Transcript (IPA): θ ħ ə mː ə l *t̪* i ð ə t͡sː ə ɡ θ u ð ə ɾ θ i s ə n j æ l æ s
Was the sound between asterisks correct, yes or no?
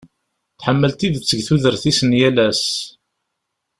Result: yes